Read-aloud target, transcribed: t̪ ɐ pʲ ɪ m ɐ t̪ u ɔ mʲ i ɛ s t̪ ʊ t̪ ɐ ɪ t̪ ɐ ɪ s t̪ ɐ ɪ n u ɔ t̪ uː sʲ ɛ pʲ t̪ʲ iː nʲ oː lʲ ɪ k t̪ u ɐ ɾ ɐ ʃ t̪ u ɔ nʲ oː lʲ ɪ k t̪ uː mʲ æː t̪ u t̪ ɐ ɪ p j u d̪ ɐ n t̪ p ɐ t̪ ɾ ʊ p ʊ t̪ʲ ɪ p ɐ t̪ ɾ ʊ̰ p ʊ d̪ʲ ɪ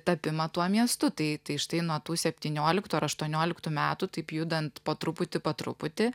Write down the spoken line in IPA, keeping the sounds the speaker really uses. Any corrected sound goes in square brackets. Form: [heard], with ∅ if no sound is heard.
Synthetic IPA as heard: t̪ ɐ pʲ ɪ m ɐ t̪ u ɔ mʲ i ɛ s t̪ ʊ t̪ ɐ ɪ t̪ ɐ ɪ [ʃ] t̪ ɐ ɪ n u ɔ t̪ uː sʲ ɛ pʲ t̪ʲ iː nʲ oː lʲ ɪ k t̪ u ɐ ɾ ɐ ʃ t̪ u ɔ nʲ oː lʲ ɪ k t̪ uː mʲ æː t̪ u t̪ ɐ ɪ p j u d̪ ɐ n t̪ p ɐ t̪ ɾ ʊ p ʊ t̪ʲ ɪ p ɐ t̪ ɾ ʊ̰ p ʊ [t̪ʲ] ɪ